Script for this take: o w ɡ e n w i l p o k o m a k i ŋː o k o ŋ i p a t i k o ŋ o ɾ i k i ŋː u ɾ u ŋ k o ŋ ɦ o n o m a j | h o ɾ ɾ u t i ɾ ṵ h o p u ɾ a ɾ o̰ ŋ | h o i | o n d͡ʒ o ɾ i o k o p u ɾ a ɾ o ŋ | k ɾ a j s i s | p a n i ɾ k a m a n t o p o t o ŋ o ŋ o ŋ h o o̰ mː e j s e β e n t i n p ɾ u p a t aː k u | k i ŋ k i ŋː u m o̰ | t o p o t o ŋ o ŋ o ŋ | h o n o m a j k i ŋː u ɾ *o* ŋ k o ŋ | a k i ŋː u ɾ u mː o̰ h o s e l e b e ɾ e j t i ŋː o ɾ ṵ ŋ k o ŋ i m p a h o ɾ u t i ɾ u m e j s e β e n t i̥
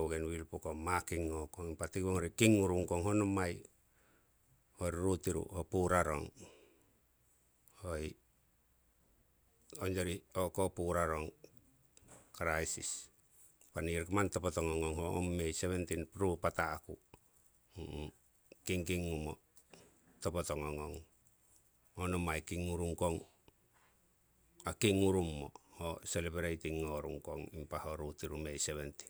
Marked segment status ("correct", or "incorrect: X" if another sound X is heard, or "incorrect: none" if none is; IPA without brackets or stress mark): incorrect: u